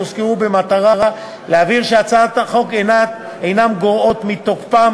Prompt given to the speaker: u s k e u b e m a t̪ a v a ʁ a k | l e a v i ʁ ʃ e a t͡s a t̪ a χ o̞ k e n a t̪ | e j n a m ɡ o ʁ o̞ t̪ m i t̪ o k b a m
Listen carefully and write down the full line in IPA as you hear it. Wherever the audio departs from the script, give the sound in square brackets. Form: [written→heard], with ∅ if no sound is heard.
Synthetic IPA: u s k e u b e m a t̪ a [v→ʁ] a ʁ a [k→∅] | l e a v i ʁ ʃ e a t͡s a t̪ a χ o̞ k e n a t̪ | e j n a m ɡ o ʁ o̞ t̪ m i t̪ o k [b→p] a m